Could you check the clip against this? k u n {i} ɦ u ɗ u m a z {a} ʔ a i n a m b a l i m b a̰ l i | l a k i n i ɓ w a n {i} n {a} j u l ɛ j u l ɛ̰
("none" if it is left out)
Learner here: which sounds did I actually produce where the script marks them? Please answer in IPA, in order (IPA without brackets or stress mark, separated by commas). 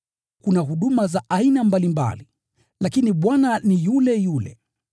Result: a, a, a, i